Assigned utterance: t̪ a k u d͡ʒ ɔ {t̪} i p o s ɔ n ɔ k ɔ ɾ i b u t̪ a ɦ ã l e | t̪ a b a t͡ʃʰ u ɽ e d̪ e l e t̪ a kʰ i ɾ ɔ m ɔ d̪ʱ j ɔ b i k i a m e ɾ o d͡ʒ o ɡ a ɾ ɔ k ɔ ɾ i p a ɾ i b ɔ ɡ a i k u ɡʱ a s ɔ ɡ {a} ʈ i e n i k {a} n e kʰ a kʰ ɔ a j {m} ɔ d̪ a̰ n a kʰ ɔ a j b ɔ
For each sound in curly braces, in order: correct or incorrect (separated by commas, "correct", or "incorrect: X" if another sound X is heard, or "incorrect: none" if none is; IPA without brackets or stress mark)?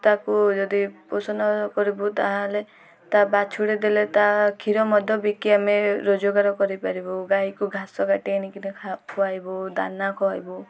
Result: incorrect: d̪, correct, incorrect: i, incorrect: b